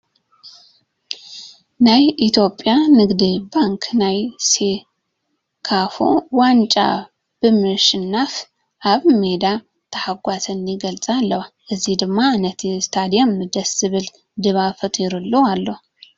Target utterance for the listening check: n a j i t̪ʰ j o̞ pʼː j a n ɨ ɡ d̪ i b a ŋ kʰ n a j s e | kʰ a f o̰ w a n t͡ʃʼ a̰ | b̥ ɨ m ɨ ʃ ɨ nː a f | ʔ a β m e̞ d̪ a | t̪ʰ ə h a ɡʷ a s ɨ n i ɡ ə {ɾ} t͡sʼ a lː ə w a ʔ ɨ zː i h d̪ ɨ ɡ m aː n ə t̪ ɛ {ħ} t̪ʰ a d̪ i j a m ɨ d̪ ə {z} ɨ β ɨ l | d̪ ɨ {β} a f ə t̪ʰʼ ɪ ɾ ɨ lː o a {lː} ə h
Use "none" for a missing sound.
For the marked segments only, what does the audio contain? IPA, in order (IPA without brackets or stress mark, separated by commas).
l, s, s, β, lː